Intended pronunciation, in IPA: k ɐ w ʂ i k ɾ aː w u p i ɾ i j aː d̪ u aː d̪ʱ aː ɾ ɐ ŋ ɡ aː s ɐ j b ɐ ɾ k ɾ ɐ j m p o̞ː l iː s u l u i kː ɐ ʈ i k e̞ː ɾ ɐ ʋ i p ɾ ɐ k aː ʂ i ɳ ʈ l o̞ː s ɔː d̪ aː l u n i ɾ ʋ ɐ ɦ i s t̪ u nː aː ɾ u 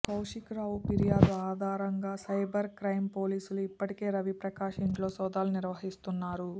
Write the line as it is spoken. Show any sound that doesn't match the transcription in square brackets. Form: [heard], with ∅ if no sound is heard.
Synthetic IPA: k ɐ w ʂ i k ɾ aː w u p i ɾ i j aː d̪ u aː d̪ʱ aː ɾ ɐ ŋ ɡ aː s ɐ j b ɐ ɾ k ɾ ɐ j m p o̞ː l iː s u l u i [pː] ɐ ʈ i k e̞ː ɾ ɐ ʋ i p ɾ ɐ k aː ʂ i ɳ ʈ l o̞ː s ɔː d̪ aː l u n i ɾ ʋ ɐ ɦ i s t̪ u nː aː ɾ u